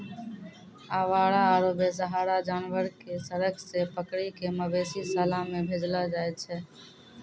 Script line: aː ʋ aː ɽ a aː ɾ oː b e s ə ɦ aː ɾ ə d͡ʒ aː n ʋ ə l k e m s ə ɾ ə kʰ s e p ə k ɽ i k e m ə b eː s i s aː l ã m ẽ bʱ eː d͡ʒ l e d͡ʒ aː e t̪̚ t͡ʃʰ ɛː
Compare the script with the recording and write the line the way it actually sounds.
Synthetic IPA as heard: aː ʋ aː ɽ a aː ɾ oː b e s ə ɦ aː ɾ a d͡ʒ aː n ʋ ə ɾ k e s ə ɾ ə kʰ s e p ə k ɽ i k e m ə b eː s i s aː l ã m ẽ bʱ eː d͡ʒ l a d͡ʒ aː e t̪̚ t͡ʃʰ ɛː